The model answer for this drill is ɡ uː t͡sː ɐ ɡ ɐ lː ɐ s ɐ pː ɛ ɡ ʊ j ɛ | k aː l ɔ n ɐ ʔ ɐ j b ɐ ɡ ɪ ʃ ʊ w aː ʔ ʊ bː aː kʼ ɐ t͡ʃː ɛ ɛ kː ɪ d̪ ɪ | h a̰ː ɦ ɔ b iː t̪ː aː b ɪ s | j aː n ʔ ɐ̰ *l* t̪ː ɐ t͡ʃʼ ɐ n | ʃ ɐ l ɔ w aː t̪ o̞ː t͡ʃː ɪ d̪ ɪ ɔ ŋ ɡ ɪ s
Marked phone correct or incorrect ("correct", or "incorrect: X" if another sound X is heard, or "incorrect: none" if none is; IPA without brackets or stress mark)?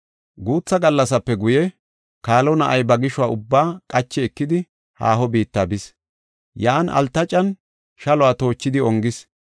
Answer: correct